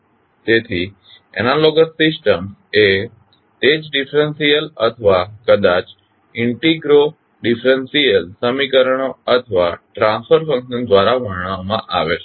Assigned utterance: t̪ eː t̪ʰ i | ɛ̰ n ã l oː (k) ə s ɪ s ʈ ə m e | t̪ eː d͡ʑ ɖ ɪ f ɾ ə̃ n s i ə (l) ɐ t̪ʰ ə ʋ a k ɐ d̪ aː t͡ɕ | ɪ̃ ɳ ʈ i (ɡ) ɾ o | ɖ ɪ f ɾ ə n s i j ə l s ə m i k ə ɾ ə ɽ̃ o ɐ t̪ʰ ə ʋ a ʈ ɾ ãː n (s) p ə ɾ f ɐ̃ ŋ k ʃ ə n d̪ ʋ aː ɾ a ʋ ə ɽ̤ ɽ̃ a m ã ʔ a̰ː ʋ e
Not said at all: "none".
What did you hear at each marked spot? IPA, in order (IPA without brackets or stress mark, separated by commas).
ɡ, l, ɡ, s